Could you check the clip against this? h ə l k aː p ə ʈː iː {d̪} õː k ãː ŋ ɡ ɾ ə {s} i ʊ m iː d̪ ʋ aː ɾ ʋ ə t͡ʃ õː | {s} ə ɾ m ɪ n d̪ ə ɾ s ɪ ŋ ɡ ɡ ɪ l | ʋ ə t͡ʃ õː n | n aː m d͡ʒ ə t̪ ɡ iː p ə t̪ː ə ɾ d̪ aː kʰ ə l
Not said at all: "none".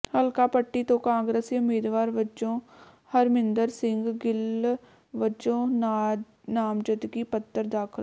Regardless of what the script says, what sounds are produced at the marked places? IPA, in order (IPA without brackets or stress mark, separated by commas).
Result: t̪, s, h